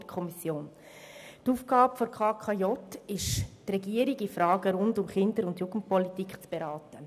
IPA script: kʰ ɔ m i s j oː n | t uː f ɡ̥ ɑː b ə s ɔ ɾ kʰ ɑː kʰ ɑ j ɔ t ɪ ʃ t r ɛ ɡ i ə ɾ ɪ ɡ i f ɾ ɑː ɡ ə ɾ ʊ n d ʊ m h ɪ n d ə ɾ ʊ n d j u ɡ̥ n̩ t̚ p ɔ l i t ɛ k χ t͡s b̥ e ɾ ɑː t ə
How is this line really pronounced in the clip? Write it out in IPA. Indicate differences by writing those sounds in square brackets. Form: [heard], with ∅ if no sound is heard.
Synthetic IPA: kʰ ɔ m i s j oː n | t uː f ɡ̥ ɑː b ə [f] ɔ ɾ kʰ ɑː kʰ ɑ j ɔ t ɪ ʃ t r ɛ ɡ i ə ɾ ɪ ɡ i f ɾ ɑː ɡ ə ɾ ʊ n d ʊ m [χ] ɪ n d ə ɾ ʊ n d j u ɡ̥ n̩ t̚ p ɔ l i t [i] k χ t͡s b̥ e ɾ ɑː t ə